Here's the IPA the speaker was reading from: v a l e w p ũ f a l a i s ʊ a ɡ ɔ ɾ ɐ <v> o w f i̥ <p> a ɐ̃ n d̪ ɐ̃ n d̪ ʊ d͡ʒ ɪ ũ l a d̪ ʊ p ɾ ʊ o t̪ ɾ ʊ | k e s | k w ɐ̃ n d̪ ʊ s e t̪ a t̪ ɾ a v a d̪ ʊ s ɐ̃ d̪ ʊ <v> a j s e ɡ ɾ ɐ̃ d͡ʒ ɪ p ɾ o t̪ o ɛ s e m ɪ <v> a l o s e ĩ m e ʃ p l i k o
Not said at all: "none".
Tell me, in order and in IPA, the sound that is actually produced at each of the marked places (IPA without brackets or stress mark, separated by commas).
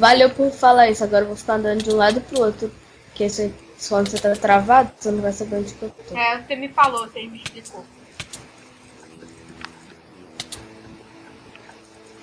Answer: v, k, v, f